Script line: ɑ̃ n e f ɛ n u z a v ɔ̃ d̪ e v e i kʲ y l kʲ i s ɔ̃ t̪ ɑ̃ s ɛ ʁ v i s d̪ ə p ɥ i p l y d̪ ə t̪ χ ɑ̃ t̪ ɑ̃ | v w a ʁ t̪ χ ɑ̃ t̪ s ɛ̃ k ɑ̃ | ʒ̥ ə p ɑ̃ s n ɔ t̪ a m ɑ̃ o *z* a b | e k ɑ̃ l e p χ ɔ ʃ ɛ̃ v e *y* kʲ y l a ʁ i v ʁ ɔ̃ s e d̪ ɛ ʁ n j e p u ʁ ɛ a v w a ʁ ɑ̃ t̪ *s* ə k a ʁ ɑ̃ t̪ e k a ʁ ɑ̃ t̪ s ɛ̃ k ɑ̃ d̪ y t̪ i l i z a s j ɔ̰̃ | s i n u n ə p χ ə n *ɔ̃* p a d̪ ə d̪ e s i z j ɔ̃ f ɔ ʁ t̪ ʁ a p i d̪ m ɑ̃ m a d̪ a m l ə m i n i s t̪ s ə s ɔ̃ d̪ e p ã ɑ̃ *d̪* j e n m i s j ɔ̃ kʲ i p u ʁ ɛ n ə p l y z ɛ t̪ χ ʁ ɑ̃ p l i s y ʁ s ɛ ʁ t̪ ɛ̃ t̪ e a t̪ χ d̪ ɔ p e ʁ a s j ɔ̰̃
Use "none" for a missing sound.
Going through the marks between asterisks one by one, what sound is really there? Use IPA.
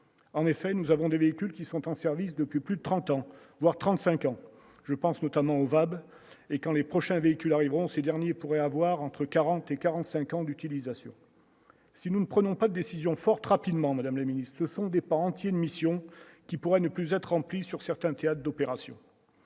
v, i, χ, ɔ̃, t̪

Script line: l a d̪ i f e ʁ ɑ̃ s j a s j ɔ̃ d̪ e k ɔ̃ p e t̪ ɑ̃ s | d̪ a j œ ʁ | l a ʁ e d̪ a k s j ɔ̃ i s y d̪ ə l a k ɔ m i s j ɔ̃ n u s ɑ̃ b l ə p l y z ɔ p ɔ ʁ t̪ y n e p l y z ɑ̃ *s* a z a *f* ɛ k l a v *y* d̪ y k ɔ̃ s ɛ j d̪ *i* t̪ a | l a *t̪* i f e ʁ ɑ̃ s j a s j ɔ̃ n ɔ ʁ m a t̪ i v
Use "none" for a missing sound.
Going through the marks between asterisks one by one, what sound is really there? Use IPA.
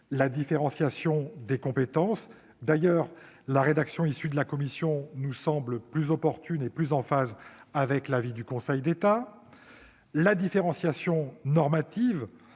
f, v, i, e, d̪

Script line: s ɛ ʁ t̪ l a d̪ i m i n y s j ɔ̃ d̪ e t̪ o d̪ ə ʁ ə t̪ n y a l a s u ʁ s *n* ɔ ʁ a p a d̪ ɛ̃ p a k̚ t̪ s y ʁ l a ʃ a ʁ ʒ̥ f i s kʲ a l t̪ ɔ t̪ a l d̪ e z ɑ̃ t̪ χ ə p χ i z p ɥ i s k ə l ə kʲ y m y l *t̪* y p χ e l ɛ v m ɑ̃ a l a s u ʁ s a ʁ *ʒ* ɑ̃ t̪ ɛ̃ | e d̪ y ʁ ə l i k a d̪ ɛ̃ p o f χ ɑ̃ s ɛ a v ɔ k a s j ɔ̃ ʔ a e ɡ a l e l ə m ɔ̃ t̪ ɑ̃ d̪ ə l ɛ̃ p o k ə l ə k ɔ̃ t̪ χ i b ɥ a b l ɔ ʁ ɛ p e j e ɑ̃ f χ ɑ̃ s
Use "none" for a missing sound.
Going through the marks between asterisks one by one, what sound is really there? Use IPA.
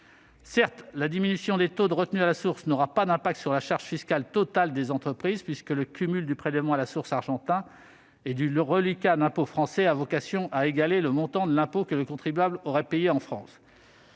n, d̪, ʒ

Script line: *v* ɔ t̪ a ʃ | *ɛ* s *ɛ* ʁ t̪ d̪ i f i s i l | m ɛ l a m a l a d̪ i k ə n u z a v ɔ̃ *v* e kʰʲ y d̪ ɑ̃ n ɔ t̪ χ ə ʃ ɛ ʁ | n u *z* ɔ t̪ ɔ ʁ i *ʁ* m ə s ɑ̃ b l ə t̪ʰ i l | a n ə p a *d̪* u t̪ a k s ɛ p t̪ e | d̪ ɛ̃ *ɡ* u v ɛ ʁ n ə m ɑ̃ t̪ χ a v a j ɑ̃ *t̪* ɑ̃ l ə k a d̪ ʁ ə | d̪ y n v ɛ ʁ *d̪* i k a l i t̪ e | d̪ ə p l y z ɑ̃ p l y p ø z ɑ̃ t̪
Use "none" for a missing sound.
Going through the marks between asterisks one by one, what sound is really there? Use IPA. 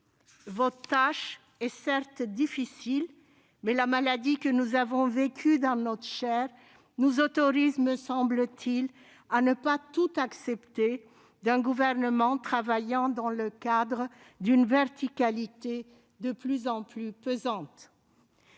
v, ɛ, ɛ, v, z, z, t̪, ɡ, d̪, t̪

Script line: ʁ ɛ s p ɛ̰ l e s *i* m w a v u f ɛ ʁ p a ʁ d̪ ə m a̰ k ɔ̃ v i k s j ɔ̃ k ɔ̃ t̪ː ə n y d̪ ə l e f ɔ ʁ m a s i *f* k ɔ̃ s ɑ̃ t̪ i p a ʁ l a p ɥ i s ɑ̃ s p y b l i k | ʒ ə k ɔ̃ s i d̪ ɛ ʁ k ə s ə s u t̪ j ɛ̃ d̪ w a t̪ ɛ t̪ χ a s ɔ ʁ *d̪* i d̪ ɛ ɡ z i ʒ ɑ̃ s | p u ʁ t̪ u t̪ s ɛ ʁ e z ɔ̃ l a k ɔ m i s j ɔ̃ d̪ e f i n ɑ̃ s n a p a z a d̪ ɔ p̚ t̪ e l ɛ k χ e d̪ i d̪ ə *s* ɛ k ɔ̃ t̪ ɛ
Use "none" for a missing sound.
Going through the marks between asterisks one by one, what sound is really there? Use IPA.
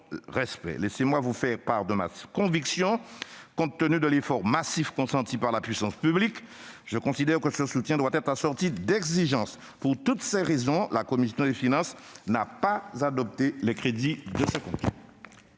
e, f, t̪, s

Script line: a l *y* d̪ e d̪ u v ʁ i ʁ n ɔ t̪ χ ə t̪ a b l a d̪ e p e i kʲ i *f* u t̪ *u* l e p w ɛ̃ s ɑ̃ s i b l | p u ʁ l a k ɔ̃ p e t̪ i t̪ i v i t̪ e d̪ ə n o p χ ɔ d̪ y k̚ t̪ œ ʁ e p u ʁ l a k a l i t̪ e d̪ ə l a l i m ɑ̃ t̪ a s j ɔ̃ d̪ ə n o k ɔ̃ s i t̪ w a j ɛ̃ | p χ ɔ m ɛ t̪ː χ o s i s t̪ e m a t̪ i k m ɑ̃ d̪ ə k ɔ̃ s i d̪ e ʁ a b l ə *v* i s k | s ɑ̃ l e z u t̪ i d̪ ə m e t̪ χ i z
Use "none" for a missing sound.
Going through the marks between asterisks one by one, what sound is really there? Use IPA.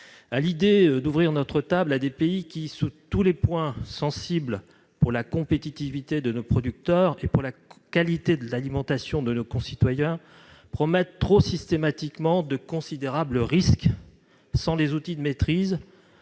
i, s, u, ʁ

